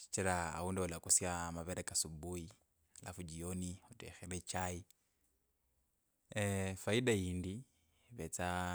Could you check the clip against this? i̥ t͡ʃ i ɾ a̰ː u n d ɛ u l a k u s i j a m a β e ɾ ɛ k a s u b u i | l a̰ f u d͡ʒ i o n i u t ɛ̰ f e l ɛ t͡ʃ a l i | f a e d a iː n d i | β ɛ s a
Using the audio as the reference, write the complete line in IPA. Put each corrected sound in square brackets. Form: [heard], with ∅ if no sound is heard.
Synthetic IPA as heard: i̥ t͡ʃ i ɾ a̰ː u n d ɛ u l a k u s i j a m a β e ɾ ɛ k a s u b u i | l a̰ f u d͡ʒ i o n i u t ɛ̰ [x] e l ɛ t͡ʃ a [∅] i | f a [i] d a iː n d i | β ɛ [t͡s] a

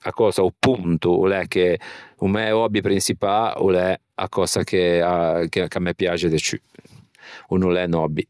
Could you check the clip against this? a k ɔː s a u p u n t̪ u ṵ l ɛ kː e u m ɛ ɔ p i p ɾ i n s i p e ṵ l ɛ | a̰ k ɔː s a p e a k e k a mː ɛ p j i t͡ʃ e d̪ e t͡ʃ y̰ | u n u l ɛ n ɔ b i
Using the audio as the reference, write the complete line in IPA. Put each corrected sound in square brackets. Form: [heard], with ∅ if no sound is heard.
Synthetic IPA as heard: a k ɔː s a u p u n t̪ u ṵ l ɛ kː e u m ɛ ɔ [b] i p ɾ i n s i p [a] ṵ l ɛ | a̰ k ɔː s a [k] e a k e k a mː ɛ p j [a] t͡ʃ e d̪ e t͡ʃ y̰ | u n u l ɛ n ɔ b i

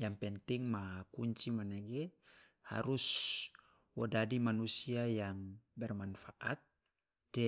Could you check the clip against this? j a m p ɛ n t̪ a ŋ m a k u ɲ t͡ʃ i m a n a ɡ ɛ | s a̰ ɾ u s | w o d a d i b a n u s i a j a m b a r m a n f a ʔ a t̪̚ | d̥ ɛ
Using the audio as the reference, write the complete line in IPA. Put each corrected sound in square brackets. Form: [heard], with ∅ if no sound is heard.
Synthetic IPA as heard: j a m p ɛ n t̪ [i] ŋ m a k u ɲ t͡ʃ i m a n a ɡ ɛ | [h] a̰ ɾ u s | w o d a d i [m] a n u s i a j a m b [ɛ] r m a n f a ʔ a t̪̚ | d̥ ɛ

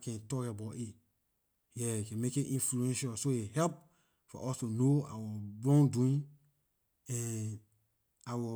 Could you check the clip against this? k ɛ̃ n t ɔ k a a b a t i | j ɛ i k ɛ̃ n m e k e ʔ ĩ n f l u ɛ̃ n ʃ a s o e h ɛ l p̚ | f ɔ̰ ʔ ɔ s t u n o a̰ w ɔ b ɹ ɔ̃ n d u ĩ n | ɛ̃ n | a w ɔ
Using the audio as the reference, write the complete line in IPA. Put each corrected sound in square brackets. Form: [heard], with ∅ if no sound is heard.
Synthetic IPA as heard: k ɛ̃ n t ɔ k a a b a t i | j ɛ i k ɛ̃ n m e k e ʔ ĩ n f l u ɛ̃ n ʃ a s o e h ɛ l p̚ | f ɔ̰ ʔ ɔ s t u n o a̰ w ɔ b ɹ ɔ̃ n d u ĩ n | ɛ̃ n | a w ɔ

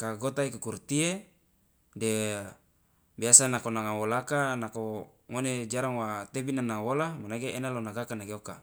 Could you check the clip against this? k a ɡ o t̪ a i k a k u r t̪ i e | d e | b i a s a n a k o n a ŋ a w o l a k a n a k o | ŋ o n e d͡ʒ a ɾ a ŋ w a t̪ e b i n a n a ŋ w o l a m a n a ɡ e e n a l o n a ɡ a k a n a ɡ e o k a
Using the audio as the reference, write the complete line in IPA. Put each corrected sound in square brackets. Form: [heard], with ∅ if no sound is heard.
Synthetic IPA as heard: k a ɡ o t̪ a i k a k u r t̪ i e | d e | b i a s a n a k o n a ŋ a w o l a k a n a k o | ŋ o n e d͡ʒ a ɾ a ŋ w a t̪ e b i n a n a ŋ w o l a m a n a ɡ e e n a l o n a ɡ a k a n a ɡ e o k a

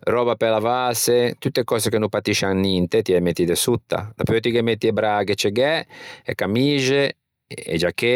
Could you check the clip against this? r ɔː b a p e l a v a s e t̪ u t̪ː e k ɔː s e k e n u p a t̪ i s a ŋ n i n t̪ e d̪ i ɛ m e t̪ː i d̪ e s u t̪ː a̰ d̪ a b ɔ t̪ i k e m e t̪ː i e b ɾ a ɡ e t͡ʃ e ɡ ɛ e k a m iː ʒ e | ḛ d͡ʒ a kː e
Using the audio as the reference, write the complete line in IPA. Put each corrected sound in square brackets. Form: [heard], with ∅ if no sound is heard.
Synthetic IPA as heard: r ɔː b a p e l a v a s e t̪ u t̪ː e k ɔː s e k e n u p a t̪ i [ʃ] a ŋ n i n t̪ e [t̪] i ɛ m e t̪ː i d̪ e s u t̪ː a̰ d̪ a [p] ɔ t̪ i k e m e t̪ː i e b ɾ a ɡ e t͡ʃ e ɡ ɛ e k a m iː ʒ e | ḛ d͡ʒ a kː e

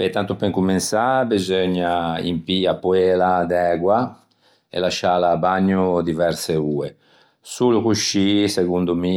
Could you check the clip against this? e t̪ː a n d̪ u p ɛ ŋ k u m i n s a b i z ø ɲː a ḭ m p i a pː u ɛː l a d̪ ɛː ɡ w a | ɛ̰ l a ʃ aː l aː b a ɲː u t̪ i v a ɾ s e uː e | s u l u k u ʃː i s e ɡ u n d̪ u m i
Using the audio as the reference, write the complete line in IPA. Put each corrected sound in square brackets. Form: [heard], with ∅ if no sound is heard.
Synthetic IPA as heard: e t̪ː a n [t̪] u p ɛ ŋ k u m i n s a b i z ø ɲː a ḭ m p i a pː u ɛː l a d̪ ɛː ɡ w a | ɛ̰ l a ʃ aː l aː b a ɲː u [d̪] i v [ɛ] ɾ s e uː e | s u l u k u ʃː i s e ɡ u n d̪ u m i

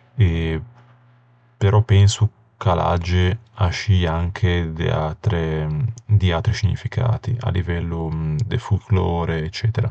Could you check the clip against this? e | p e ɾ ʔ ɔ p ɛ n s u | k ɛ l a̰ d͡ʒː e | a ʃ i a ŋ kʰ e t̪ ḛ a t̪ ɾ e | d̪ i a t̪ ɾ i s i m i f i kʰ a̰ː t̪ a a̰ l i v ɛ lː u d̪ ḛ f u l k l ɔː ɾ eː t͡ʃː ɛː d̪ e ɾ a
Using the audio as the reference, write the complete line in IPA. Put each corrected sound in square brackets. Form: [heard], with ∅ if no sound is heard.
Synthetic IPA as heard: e | p e ɾ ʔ ɔ p ɛ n s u | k [a] l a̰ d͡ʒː e | a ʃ i a ŋ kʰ e [d̪] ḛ a t̪ ɾ e | d̪ i a t̪ ɾ i s i [ɲ] i f i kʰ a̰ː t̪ [i] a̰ l i v ɛ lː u d̪ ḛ f u l k l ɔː ɾ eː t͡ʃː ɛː [t̪] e ɾ a

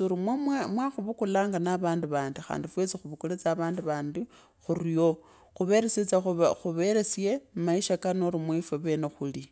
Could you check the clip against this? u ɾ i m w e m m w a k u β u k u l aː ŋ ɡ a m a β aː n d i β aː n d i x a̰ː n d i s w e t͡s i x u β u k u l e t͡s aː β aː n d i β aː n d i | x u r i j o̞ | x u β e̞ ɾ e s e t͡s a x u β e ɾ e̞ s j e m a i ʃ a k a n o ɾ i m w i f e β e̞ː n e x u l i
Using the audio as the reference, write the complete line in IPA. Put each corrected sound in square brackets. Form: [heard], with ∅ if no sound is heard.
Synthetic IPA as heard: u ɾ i m w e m m w a [x] u β u k u l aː ŋ ɡ a [n] a β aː n d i β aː n d i x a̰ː n d i [f] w e t͡s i x u β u k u l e t͡s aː β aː n d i β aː n d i | x u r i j o̞ | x u β e̞ ɾ e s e t͡s a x u β e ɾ e̞ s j e m a i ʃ a k a n o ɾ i m w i f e β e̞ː n e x u l i

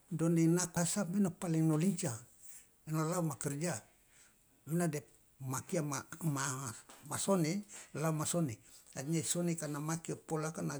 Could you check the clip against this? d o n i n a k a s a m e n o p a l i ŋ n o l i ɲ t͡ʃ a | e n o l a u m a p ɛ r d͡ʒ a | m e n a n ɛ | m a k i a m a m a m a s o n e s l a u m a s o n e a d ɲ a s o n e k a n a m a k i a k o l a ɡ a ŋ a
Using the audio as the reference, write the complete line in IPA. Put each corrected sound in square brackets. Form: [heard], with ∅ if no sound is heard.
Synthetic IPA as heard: d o n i n a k a s a m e n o p a l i ŋ n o l i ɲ t͡ʃ a | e n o l a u m a [k] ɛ r d͡ʒ a | m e n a [d] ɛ | m a k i a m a m a m a s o n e [∅] l a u m a s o n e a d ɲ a s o n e k a n a m a k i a [p] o l a [k] a [n] a

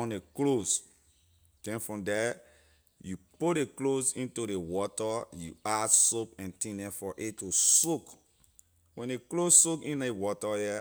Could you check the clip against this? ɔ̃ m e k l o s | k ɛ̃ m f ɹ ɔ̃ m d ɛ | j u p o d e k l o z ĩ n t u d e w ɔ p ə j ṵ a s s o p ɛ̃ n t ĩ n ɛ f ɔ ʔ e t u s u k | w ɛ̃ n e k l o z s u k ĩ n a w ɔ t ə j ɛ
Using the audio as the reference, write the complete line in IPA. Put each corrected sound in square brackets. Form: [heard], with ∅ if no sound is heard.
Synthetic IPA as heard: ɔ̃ [n] e k l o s | k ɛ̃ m f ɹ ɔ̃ m d ɛ | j u p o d e k l o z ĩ n t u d e w ɔ [t] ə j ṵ a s s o p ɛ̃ n t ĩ n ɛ f ɔ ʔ e t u s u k | w ɛ̃ n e k l o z s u k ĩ n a w ɔ t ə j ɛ

